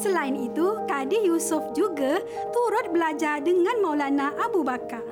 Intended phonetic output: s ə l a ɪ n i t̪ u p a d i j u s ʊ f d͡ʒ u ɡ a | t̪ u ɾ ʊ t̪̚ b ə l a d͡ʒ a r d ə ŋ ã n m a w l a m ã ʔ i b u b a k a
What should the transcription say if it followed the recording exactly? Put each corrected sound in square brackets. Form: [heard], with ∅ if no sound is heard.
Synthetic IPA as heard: s ə l a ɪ n i t̪ u [k] a d i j u s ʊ f d͡ʒ u ɡ a | t̪ u ɾ ʊ t̪̚ b ə l a d͡ʒ a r d ə ŋ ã n m a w l a [n] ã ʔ [a] b u b a k a